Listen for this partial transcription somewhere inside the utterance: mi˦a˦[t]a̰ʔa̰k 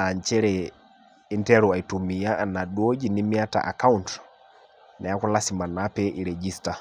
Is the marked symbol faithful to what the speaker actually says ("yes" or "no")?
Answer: yes